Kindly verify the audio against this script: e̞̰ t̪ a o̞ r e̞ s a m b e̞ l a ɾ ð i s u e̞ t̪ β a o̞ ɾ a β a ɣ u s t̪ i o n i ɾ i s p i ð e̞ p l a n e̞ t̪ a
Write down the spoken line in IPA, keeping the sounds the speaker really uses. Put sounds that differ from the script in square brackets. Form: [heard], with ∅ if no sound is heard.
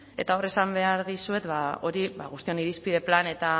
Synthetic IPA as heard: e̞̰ t̪ a o̞ r e̞ s a m b e̞ [∅] a ɾ ð i s u e̞ t̪ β a o̞ ɾ [i] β a ɣ u s t̪ i o n i ɾ i s p i ð e̞ p l a n e̞ t̪ a